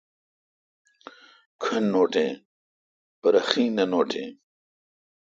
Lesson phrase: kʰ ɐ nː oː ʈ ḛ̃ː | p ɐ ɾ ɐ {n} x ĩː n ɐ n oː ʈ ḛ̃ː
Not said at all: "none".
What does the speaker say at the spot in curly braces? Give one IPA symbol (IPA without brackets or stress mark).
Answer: none